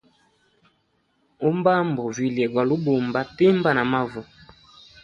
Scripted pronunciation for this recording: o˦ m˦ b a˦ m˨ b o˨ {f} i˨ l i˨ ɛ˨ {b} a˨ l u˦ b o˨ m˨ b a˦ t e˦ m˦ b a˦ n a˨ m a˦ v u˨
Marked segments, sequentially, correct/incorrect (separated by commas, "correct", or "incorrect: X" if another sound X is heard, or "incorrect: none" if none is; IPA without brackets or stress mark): incorrect: v, incorrect: ɡ